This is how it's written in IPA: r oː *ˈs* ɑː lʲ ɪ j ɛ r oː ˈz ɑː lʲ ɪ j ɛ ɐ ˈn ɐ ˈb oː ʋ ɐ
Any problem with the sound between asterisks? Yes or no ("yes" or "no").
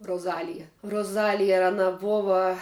yes